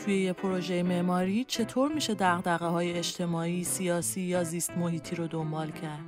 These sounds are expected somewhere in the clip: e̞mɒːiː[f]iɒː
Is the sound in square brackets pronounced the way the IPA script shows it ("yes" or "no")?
no